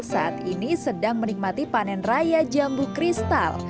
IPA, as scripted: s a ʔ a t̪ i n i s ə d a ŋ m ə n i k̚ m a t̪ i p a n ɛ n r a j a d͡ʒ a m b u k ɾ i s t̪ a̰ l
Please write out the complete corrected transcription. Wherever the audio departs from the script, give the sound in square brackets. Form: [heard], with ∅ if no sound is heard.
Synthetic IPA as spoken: s a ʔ a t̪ i n i s ə d a ŋ m ə n i k̚ m a t̪ i p a n ɛ n r a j a d͡ʒ a m b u k ɾ i s t̪ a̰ l